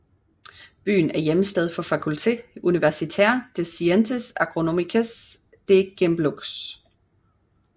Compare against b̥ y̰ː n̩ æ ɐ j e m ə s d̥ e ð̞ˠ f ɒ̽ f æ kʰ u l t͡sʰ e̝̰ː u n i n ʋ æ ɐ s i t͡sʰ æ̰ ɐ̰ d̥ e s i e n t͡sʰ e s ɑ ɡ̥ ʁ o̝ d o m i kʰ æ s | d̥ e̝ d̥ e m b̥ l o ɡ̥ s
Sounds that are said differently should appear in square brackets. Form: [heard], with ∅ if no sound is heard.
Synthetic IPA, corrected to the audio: b̥ y̰ː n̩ æ ɐ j e m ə s d̥ e ð̞ˠ f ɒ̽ f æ kʰ u l t͡sʰ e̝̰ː u n i [∅] ʋ æ ɐ s i t͡sʰ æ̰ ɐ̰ d̥ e s i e n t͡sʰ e s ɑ ɡ̥ ʁ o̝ [n] o m i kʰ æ s | d̥ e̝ [ɡ̥] e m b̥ l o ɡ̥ s